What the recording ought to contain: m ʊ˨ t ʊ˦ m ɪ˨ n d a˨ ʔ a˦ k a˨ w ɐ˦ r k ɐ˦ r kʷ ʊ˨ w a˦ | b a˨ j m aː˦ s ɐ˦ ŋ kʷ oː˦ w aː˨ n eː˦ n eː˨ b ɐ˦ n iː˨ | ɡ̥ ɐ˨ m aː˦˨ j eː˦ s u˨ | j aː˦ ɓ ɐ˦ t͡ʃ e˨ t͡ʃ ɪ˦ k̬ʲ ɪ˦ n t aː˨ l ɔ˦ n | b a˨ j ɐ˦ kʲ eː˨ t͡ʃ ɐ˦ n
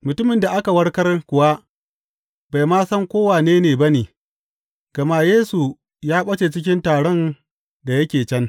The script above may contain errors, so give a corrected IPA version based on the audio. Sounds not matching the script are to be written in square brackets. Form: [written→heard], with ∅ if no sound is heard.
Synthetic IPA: m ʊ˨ t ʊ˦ m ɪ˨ n d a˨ ʔ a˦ k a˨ w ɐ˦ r k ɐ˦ r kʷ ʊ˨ w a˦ | b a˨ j m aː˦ s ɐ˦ ŋ kʷ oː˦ w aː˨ n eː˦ n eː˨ b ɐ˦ n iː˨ | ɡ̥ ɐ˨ m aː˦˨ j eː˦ s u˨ | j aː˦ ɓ ɐ˦ t͡ʃ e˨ t͡ʃ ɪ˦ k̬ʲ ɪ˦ n t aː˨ [l→ɽ] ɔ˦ n | [b→d] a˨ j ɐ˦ kʲ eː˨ t͡ʃ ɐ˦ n